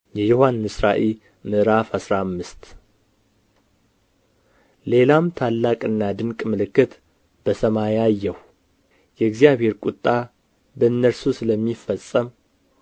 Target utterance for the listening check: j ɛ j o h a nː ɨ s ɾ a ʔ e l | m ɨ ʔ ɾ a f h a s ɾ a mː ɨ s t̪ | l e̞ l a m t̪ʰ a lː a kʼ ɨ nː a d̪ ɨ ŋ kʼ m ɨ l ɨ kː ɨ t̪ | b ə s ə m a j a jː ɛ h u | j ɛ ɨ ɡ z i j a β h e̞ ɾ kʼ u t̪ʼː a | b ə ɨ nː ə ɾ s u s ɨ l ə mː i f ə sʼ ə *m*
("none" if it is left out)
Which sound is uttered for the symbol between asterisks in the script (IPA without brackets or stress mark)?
m